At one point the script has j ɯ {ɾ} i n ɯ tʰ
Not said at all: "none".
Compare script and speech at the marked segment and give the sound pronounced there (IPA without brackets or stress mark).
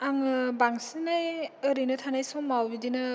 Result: ɾ